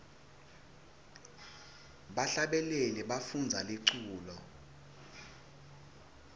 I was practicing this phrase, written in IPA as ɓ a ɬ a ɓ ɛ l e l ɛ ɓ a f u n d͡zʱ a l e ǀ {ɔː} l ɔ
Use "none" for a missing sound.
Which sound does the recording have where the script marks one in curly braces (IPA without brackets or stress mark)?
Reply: uː